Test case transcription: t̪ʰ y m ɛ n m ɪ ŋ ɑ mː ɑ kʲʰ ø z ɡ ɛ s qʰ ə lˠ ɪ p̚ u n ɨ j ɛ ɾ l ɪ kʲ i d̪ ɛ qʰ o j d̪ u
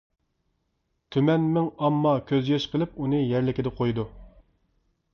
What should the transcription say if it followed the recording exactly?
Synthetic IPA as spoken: t̪ʰ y m ɛ n m ɪ ŋ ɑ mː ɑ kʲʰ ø z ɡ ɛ ʃ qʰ ə lˠ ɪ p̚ u n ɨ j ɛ ɾ l ɪ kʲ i d̪ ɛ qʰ o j d̪ u